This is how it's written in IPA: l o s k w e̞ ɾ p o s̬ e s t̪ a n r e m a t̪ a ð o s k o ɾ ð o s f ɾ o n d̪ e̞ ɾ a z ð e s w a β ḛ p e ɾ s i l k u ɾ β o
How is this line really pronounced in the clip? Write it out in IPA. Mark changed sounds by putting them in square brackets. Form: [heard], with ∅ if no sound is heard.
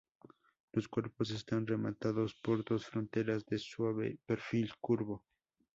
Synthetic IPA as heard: l o s k w e̞ ɾ p o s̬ e s t̪ a n r e m a t̪ a ð o s [p] o ɾ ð o s f ɾ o n [t̪] e̞ ɾ a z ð e s w a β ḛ p e ɾ [f] i l k u ɾ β o